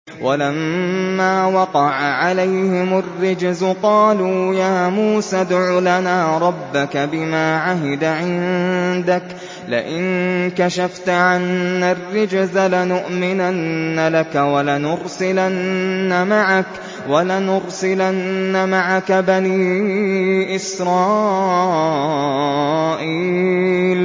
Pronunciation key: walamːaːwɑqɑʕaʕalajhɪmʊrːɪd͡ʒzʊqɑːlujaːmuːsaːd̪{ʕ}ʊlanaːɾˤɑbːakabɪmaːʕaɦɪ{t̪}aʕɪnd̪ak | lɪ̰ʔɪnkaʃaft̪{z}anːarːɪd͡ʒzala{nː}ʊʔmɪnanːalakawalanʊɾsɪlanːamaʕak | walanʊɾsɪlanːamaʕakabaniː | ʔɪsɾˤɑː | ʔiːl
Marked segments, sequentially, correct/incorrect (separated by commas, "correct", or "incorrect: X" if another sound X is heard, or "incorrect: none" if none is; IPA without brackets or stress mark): correct, incorrect: d̪, incorrect: ʕ, incorrect: n